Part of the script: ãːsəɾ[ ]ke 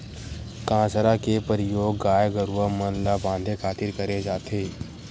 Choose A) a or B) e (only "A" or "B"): A